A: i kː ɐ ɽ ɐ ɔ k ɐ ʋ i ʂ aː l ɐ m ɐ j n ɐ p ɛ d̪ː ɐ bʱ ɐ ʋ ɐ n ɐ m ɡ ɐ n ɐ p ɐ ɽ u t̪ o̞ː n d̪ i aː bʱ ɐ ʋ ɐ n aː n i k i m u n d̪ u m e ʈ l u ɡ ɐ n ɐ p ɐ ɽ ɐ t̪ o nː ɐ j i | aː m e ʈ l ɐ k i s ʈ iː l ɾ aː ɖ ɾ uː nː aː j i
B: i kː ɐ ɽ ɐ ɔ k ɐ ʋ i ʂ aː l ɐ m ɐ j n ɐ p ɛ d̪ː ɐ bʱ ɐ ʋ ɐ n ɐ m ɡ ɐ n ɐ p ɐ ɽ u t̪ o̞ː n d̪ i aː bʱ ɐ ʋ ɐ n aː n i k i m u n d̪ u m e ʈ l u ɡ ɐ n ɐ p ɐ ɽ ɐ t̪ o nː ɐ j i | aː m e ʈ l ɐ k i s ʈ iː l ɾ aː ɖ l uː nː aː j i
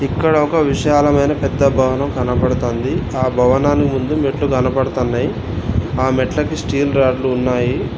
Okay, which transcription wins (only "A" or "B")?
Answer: B